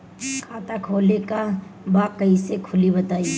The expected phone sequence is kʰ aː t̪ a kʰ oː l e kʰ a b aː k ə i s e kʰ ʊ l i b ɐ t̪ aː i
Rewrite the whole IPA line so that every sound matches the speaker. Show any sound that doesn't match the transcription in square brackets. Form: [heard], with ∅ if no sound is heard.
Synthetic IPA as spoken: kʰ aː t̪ a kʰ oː l e [k] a b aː k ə i s e kʰ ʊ l i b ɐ t̪ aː i